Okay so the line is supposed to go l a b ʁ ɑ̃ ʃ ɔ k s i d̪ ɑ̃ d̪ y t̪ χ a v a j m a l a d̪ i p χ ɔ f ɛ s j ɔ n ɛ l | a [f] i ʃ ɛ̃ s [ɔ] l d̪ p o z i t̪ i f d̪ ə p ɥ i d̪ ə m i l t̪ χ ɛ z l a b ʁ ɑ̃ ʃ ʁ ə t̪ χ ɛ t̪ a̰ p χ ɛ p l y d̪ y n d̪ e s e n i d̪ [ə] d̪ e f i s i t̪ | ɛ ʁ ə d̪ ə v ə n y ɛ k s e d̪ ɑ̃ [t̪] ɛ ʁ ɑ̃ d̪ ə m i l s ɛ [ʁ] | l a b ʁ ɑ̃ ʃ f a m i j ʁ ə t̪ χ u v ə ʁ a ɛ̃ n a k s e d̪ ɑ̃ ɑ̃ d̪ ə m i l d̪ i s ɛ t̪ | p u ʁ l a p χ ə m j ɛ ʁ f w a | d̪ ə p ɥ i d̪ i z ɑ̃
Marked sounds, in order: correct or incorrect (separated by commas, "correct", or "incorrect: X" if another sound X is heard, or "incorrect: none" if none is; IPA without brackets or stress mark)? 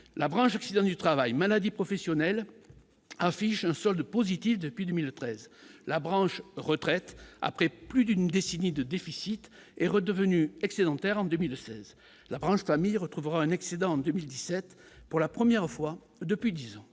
correct, correct, correct, correct, incorrect: z